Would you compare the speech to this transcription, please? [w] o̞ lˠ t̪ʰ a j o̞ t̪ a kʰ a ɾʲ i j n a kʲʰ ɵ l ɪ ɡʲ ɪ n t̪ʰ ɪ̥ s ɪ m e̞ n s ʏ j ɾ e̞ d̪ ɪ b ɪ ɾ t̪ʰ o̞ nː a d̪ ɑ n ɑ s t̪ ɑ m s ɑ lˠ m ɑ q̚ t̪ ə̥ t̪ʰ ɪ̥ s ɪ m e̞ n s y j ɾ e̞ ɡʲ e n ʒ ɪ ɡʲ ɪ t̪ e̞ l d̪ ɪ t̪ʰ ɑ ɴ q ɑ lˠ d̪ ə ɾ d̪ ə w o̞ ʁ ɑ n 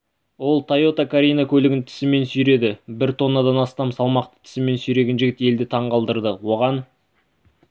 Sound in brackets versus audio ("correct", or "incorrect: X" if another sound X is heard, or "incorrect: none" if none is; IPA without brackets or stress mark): correct